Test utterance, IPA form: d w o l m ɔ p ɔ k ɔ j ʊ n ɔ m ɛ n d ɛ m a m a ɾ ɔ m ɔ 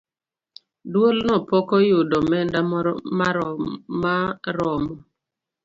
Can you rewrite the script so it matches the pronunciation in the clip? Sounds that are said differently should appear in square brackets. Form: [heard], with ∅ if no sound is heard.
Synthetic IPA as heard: d w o l [n] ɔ p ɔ k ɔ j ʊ [d] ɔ m ɛ n d [a] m a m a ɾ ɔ m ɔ